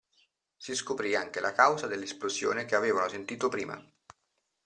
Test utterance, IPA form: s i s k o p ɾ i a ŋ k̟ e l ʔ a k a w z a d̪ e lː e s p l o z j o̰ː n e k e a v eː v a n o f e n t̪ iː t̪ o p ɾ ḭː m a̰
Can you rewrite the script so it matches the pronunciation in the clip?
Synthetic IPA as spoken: s i s k o p ɾ i a ŋ k̟ e l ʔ a k a w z a d̪ e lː e s p l o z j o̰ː n e k e a v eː v a n o s e n t̪ iː t̪ o p ɾ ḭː m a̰